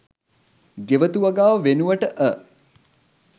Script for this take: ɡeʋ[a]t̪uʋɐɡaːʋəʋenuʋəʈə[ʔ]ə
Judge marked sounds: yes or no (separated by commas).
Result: no, yes